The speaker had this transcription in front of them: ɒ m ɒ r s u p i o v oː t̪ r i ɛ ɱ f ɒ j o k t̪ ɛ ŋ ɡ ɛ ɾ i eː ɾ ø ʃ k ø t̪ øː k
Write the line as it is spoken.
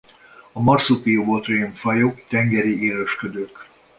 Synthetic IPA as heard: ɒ m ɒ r s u p i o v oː t̪ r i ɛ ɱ f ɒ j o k t̪ ɛ ŋ ɡ ɛ ɾ i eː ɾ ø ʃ k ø d̪ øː k